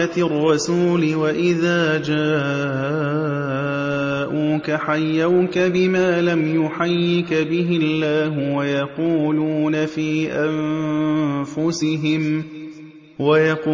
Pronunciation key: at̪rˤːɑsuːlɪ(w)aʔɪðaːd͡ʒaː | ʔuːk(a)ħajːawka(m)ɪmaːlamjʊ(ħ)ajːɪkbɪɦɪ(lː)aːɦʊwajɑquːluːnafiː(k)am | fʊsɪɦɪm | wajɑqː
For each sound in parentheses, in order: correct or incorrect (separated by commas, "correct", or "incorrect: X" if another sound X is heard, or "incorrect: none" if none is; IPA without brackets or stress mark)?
correct, correct, incorrect: b, correct, correct, incorrect: ʔ